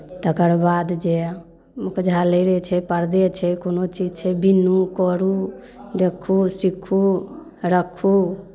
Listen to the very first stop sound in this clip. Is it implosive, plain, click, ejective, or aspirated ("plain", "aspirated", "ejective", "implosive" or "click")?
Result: plain